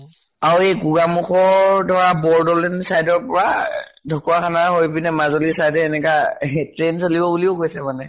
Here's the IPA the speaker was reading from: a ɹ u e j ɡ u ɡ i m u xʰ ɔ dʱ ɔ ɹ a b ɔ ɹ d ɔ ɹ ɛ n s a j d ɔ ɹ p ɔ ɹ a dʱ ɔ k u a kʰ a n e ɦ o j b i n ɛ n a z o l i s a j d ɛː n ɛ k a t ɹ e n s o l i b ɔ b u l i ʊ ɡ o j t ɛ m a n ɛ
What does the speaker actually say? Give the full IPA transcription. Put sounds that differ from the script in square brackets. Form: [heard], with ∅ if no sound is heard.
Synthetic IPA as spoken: a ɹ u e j ɡ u ɡ [a] m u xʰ ɔ dʱ ɔ ɹ a b ɔ ɹ d ɔ [l] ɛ n s a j d ɔ ɹ p ɔ ɹ a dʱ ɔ k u a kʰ a n [a] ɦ o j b i n ɛ [m] a z o l i s a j d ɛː n ɛ k a t ɹ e n s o l i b ɔ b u l i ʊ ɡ o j [s] ɛ m a n ɛ